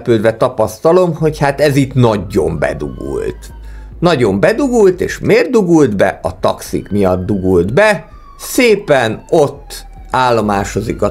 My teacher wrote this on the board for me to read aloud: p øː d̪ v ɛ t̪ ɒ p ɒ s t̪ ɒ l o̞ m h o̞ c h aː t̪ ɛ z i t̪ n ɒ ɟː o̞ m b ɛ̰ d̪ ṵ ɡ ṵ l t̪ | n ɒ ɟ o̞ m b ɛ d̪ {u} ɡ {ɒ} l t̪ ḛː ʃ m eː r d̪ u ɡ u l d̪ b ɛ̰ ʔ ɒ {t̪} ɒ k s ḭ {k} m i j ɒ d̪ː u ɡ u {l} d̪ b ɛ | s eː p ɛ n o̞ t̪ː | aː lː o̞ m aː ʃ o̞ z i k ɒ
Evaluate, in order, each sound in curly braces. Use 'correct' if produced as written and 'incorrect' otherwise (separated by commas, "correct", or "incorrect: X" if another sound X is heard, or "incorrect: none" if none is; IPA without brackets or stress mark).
correct, incorrect: u, correct, correct, correct